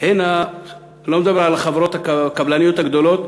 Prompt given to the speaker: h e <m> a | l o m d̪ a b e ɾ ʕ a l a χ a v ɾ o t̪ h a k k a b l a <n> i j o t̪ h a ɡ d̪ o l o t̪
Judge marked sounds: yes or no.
no, yes

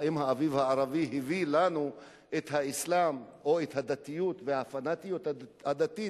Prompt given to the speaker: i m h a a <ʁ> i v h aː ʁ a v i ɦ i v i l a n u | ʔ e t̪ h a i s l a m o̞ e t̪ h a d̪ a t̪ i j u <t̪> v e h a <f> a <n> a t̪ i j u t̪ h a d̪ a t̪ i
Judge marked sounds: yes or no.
no, yes, yes, yes

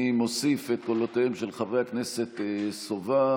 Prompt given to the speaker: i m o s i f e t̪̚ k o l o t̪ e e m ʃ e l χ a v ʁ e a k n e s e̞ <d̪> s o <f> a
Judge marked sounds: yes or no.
no, no

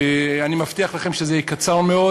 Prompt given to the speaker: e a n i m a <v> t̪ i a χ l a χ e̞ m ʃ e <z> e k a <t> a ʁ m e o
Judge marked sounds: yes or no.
no, yes, no

